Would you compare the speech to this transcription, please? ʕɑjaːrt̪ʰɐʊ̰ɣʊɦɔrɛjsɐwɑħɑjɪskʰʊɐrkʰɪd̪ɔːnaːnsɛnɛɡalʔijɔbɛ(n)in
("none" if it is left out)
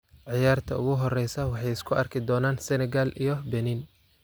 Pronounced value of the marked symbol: n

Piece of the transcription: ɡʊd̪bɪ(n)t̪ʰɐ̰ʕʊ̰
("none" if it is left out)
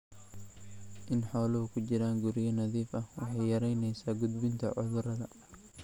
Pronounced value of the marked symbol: n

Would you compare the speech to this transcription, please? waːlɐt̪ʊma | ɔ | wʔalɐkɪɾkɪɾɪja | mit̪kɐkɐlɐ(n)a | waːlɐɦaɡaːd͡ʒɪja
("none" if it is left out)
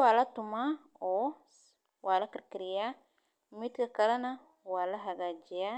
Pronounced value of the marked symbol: n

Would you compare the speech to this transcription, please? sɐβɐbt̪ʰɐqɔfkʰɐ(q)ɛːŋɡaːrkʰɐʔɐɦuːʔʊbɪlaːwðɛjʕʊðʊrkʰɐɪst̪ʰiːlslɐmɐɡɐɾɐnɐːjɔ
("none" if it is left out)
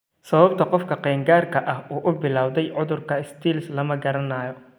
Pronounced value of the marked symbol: q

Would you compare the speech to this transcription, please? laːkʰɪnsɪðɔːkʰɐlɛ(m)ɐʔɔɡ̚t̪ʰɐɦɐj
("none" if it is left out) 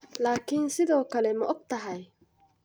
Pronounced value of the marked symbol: m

